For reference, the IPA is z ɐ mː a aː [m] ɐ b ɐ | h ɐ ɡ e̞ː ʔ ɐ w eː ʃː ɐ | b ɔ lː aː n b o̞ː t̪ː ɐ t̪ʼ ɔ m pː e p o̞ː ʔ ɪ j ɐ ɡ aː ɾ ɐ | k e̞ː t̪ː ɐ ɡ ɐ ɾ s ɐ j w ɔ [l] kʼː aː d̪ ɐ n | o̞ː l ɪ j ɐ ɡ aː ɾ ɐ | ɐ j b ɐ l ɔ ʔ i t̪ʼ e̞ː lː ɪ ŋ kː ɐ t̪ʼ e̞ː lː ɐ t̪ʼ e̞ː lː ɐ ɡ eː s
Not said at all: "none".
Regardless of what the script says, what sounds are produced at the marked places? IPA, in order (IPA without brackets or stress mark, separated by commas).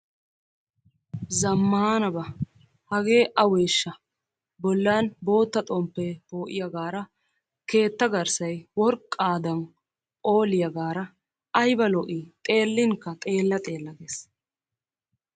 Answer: n, ɾ